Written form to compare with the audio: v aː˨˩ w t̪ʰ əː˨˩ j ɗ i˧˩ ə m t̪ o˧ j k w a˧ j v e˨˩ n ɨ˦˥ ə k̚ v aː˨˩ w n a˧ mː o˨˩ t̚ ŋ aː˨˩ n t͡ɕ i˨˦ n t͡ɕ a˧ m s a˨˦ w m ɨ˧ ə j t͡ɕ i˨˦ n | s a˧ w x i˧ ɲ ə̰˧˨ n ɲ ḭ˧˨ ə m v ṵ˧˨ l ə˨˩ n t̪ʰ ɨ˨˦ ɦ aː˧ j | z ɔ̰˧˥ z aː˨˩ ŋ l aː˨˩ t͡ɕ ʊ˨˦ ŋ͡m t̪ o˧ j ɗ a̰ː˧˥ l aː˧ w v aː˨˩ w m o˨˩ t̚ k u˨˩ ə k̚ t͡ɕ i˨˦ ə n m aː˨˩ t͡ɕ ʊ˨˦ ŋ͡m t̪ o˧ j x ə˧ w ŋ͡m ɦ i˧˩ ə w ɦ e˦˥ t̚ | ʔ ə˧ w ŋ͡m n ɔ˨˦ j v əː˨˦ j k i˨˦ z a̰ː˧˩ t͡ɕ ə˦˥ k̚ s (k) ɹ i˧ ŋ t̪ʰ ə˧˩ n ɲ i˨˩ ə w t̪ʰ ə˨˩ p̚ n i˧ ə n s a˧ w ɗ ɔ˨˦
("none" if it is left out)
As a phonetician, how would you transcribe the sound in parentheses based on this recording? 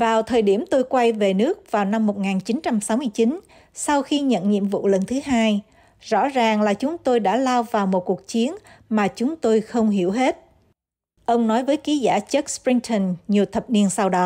p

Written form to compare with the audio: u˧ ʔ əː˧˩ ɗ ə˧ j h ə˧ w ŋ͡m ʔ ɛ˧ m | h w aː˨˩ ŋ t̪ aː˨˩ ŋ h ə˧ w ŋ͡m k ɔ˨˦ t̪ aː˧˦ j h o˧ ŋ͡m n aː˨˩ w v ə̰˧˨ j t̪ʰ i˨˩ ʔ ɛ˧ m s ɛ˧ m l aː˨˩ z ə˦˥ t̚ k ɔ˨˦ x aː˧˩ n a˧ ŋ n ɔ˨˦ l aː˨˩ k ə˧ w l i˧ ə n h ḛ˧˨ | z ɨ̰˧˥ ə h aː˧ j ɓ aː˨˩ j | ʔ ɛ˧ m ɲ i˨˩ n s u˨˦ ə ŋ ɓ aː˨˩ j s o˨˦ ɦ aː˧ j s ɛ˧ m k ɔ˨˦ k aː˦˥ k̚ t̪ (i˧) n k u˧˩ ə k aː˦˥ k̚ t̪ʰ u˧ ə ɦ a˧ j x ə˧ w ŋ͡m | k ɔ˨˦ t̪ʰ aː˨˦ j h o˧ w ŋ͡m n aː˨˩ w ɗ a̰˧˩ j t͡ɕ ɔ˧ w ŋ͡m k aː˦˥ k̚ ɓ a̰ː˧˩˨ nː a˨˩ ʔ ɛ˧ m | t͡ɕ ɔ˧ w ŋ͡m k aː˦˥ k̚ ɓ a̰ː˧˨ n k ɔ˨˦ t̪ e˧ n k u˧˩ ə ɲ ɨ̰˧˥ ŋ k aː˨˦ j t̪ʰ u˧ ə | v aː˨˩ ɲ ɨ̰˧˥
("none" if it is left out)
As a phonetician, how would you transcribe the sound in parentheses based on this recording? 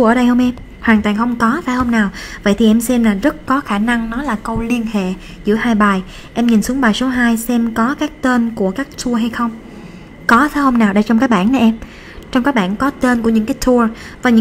e˧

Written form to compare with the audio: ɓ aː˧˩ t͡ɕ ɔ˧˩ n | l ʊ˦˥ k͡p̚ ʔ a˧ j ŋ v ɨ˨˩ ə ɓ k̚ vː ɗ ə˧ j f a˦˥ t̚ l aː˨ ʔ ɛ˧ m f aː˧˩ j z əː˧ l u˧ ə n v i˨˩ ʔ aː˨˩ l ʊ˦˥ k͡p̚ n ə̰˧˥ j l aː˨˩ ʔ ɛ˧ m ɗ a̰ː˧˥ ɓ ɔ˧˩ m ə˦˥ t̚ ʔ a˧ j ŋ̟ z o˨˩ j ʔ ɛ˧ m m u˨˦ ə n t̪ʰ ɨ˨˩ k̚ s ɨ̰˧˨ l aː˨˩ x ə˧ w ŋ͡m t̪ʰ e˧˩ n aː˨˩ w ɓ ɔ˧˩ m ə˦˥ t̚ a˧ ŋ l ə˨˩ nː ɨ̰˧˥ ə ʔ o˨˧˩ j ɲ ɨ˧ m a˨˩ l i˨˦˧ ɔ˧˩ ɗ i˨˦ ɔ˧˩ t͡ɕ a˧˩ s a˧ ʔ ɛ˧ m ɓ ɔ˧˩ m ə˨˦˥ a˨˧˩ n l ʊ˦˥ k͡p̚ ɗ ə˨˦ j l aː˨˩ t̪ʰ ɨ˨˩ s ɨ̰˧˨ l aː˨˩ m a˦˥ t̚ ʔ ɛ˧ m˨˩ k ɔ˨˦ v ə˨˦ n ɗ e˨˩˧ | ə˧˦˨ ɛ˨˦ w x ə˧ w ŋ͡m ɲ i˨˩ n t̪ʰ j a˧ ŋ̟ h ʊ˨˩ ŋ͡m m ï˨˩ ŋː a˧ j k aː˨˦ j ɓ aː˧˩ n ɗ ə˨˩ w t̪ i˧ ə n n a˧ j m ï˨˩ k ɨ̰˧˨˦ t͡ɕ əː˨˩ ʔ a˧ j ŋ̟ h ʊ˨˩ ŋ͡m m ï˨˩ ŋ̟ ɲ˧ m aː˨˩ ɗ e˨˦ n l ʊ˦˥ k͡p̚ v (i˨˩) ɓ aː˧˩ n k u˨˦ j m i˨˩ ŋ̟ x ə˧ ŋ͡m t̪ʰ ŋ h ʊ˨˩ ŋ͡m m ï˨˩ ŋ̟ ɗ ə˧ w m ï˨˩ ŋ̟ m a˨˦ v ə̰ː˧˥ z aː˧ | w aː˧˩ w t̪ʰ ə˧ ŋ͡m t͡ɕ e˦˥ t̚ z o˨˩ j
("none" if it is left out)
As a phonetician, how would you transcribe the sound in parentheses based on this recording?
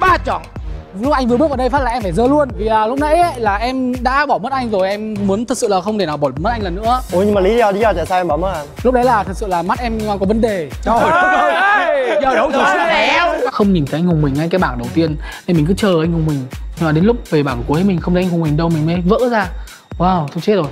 e˨˩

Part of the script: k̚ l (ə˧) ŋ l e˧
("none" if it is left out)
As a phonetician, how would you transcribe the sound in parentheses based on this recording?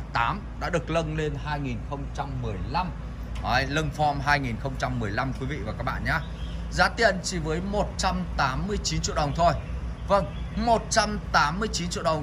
ə˧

